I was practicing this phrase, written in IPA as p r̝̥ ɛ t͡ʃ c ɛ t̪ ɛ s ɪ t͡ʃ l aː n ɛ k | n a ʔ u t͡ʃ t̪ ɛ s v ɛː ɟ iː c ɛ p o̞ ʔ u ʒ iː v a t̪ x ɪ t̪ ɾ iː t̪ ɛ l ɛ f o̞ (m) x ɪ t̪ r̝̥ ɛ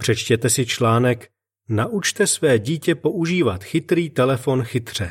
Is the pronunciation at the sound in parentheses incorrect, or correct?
incorrect